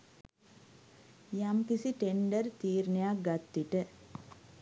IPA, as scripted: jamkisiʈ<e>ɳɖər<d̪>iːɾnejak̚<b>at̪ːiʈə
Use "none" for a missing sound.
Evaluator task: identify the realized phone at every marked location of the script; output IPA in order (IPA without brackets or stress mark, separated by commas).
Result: e, t̪, ɡ